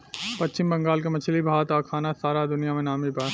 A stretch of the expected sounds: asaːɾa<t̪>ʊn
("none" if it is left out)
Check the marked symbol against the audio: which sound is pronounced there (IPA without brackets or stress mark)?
d̪